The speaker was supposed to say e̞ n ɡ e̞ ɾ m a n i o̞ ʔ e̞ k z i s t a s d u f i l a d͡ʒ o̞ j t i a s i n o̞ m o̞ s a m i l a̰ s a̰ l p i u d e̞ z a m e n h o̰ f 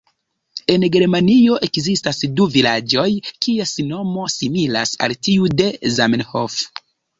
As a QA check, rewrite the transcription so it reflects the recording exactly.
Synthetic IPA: e̞ n ɡ e̞ ɾ m a n i o̞ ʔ e̞ k z i s t a s d u v i l a d͡ʒ o̞ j k i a s i n o̞ m o̞ s i m i l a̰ s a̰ l t i u d e̞ z a m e n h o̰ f